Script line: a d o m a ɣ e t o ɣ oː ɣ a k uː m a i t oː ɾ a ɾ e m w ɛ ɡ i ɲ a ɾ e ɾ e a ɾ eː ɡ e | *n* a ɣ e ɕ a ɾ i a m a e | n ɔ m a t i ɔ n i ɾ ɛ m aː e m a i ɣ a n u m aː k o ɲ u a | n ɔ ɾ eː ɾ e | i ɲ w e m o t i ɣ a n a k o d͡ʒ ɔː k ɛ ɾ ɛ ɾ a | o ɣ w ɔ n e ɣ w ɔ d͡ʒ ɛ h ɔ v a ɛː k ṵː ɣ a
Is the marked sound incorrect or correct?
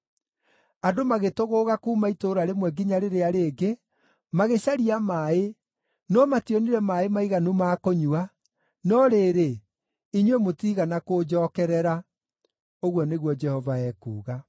incorrect